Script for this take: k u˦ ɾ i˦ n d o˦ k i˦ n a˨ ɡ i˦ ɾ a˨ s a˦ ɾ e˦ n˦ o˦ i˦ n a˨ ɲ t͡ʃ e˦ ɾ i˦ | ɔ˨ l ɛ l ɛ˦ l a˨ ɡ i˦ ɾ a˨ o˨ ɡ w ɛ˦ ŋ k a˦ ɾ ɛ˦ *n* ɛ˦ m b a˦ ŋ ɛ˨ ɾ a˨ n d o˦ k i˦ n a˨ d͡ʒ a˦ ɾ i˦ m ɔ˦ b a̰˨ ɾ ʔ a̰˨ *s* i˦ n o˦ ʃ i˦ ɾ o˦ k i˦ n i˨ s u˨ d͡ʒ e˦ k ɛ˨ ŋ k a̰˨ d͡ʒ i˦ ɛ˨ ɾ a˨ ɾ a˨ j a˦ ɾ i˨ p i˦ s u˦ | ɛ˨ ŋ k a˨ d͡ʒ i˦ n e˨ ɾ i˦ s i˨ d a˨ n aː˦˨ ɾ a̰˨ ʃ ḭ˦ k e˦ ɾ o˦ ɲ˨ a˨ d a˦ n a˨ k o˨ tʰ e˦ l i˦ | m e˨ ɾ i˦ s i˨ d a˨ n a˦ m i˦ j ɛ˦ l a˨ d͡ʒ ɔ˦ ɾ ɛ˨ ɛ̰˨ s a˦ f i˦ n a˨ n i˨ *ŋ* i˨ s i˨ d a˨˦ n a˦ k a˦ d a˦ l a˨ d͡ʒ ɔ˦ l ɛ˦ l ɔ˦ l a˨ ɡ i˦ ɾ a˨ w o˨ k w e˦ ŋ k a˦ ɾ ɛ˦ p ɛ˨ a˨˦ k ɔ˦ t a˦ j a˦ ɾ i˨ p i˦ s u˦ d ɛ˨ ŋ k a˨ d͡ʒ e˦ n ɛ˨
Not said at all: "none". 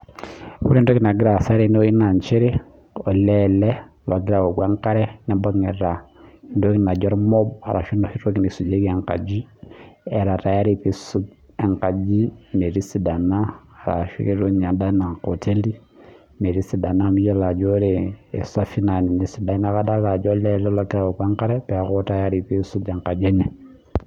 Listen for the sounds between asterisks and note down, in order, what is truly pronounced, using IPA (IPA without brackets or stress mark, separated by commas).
n, ʃ, n